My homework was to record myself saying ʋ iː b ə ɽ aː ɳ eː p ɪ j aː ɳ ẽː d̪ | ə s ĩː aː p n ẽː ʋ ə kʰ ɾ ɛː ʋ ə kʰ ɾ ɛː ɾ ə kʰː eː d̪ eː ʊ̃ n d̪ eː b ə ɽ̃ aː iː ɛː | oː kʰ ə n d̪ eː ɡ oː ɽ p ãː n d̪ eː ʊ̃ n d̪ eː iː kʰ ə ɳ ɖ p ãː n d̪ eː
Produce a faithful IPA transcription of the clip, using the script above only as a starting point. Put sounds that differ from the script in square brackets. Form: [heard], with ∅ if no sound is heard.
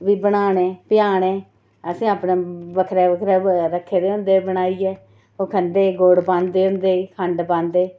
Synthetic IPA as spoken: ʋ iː b ə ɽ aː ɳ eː p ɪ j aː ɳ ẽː [∅] | ə s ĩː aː p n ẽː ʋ ə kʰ ɾ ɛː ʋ ə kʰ ɾ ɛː ɾ ə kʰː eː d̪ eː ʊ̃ n d̪ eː b ə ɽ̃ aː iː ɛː | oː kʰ ə n d̪ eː ɡ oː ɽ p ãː n d̪ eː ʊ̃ n d̪ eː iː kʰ ə ɳ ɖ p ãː n d̪ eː